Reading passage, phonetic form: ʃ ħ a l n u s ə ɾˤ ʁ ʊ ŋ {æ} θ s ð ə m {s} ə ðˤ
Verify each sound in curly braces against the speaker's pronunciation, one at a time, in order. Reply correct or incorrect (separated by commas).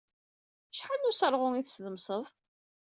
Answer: incorrect, correct